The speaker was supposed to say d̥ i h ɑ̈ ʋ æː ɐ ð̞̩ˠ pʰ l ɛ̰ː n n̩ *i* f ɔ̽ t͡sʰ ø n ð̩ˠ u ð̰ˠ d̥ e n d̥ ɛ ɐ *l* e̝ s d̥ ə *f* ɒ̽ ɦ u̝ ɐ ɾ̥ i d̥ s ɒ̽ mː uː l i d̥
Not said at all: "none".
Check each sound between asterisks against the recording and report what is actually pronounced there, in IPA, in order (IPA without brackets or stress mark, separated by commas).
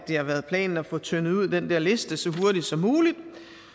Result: æ, l, s